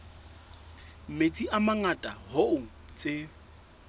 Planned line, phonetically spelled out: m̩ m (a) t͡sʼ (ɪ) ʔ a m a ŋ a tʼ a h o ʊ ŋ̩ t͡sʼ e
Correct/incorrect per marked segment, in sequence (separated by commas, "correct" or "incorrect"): incorrect, incorrect